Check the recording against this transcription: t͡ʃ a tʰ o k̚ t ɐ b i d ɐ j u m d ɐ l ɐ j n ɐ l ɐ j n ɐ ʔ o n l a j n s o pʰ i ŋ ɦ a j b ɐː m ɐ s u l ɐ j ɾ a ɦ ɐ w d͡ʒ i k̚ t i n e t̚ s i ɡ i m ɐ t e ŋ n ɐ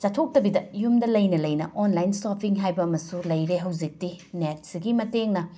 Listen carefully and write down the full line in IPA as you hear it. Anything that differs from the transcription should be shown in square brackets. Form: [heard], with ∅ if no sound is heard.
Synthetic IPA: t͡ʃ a tʰ o k̚ t ɐ b i d ɐ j u m d ɐ l ɐ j n ɐ l ɐ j n ɐ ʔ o n l a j n s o pʰ i ŋ ɦ a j b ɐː m ɐ s u l ɐ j ɾ [e] ɦ ɐ w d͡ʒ i k̚ t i n e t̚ s i ɡ i m ɐ t e ŋ n ɐ